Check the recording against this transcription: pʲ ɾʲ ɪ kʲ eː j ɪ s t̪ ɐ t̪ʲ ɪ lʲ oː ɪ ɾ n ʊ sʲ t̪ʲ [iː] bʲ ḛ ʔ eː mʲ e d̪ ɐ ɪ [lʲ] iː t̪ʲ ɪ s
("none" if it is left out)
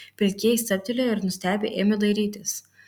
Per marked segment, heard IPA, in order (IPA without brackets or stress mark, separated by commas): æː, ɾʲ